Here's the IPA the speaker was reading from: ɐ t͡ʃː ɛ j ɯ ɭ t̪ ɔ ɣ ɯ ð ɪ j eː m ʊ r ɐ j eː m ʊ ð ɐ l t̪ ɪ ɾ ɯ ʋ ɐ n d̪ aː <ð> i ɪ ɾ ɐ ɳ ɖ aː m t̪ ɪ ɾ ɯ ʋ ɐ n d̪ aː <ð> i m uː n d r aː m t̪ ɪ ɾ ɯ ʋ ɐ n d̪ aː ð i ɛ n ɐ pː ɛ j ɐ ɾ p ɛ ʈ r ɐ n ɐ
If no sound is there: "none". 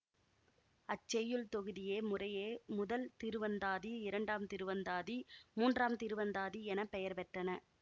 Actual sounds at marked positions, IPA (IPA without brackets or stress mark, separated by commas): ð, ð